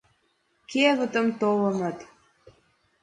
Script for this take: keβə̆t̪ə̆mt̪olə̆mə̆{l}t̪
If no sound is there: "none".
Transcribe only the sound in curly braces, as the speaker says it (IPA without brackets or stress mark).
none